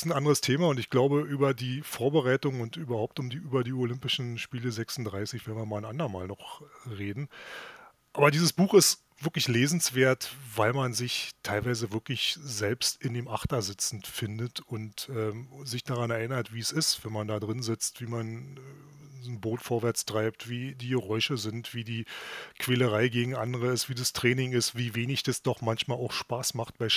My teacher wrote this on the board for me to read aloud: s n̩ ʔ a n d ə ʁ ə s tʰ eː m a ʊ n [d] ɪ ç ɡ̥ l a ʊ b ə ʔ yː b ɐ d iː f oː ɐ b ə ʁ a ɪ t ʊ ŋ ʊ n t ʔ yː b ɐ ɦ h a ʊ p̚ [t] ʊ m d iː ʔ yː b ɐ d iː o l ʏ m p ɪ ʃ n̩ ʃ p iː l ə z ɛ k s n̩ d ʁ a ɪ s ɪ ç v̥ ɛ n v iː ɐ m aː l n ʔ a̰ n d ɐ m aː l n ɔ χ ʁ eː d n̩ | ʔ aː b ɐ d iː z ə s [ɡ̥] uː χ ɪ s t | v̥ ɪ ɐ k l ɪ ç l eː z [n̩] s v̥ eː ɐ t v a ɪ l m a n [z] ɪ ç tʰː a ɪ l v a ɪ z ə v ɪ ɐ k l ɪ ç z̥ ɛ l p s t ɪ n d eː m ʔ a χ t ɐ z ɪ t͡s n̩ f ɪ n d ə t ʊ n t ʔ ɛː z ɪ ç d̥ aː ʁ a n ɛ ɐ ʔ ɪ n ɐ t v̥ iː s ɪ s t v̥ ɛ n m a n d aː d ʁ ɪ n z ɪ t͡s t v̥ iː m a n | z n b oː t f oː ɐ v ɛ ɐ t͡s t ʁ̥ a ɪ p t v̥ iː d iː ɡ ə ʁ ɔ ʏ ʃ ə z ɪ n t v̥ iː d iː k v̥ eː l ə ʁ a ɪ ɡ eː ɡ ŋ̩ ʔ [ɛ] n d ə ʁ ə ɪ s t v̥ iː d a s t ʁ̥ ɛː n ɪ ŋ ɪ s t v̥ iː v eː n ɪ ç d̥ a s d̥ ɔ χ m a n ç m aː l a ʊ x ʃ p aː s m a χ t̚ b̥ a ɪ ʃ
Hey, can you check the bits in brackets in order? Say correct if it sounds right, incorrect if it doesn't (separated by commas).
incorrect, correct, incorrect, correct, correct, incorrect